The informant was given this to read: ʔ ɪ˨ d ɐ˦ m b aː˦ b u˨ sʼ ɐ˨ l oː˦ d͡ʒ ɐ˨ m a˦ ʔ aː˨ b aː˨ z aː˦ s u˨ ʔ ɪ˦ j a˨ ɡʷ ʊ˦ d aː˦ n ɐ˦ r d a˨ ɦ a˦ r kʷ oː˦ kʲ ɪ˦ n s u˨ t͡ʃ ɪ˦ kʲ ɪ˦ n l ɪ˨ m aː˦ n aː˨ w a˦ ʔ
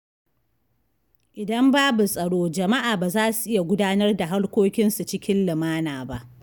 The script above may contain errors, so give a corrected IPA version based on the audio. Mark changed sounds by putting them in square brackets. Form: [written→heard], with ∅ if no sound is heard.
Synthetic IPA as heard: ʔ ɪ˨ d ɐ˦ m b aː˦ b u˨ sʼ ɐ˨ [l→ɽ] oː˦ d͡ʒ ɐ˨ m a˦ ʔ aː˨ b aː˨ z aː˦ s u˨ ʔ ɪ˦ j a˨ ɡʷ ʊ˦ d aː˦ n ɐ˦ r d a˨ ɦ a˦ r kʷ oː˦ kʲ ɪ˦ n s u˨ t͡ʃ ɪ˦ kʲ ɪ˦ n l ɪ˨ m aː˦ n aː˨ [w→b] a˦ ʔ